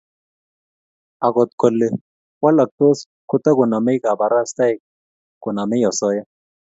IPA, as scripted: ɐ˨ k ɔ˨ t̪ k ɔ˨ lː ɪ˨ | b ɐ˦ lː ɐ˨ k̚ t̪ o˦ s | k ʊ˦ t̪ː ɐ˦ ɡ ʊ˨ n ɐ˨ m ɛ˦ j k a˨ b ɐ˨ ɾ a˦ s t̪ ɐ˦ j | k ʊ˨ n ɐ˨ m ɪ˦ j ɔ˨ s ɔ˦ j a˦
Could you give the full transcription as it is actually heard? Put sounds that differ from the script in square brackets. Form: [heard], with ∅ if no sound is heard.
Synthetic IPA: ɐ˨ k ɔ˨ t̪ k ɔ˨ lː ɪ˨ | [w] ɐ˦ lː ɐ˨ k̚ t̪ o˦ s | k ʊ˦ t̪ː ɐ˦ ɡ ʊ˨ n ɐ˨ m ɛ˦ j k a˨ b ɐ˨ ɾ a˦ s t̪ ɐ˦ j | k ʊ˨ n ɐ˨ m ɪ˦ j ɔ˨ s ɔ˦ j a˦